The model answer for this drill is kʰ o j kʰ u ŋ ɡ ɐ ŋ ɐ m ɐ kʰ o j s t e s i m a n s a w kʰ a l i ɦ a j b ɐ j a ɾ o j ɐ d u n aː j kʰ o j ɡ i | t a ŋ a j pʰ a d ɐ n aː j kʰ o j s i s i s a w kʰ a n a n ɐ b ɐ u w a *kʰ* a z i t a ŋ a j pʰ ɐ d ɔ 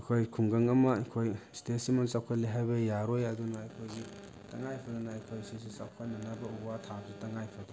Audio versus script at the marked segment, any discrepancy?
yes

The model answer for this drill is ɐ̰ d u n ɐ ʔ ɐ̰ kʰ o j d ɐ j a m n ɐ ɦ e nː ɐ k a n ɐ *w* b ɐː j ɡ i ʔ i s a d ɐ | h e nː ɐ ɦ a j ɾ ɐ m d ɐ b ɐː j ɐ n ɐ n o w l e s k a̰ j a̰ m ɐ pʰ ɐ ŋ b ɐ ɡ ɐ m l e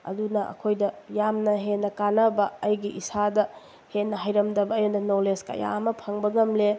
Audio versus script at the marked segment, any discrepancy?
yes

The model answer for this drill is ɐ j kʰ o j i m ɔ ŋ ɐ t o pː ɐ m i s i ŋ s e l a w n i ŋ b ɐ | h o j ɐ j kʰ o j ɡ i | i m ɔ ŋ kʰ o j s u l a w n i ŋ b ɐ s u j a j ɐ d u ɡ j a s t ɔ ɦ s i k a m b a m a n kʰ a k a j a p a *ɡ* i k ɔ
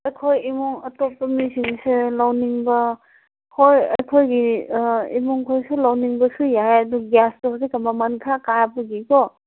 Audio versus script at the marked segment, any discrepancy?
no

